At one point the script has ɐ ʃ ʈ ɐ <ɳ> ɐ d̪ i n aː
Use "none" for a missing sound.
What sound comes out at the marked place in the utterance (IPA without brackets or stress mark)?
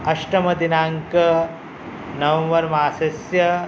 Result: m